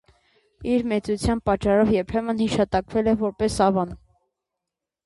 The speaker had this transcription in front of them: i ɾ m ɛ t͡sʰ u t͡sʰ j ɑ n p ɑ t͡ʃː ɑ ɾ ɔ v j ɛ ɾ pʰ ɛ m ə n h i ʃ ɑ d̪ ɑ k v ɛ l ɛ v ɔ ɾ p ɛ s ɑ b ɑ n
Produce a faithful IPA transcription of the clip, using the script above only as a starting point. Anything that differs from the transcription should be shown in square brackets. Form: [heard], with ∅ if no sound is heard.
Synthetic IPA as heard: i ɾ m ɛ [t͡s] u t͡sʰ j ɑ n p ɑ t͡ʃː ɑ ɾ ɔ v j ɛ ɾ pʰ ɛ m ə n h i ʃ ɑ [t̪] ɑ k v ɛ l ɛ v ɔ ɾ p ɛ s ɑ [v] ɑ n